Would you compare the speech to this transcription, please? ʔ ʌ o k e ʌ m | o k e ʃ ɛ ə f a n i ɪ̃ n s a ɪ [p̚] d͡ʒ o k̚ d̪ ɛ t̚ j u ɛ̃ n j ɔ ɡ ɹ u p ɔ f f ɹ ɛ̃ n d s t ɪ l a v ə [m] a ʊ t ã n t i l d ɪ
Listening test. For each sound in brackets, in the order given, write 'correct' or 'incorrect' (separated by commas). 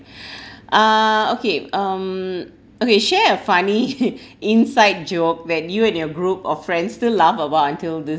incorrect, incorrect